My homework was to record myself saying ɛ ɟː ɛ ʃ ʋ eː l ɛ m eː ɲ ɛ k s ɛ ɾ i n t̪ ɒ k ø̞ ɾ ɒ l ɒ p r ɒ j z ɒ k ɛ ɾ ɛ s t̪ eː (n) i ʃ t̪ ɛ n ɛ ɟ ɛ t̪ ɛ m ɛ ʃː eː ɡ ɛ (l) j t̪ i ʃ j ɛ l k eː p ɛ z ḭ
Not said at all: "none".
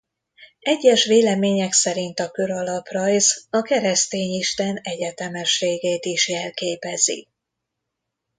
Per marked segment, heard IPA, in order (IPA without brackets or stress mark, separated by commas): ɲ, none